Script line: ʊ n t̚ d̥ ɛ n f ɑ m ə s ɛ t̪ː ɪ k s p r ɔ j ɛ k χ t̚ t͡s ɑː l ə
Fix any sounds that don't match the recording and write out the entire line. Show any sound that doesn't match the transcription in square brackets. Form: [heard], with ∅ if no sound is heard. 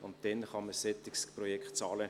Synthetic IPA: ʊ n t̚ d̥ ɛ n [χ] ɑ m ə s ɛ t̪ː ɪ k s p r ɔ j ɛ k χ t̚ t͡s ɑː l ə